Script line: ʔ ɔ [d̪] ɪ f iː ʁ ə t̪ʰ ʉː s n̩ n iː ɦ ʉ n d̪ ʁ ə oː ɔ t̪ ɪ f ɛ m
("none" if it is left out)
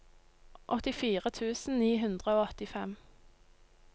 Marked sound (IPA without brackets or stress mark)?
t̪